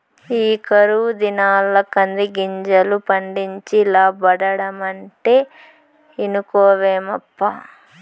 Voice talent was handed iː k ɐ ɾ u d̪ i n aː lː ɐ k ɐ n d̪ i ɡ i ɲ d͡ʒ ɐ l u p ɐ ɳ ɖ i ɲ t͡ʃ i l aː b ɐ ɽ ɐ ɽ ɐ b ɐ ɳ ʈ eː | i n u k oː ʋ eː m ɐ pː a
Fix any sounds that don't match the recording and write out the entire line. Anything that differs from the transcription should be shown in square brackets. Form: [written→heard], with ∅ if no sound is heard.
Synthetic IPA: iː k ɐ ɾ u d̪ i n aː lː ɐ k ɐ n d̪ i ɡ i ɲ d͡ʒ ɐ l u p ɐ ɳ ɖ i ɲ t͡ʃ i l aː b ɐ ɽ ɐ ɽ ɐ [b→m] ɐ ɳ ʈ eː | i n u k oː ʋ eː m ɐ pː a